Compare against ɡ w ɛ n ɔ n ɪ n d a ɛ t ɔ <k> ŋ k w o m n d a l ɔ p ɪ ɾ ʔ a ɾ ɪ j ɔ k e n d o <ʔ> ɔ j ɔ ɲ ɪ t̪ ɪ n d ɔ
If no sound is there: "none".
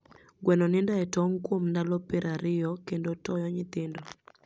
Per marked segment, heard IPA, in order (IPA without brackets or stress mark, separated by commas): none, t